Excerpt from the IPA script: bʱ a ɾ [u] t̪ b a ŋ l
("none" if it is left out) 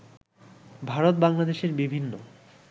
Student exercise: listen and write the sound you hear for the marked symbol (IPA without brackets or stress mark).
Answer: o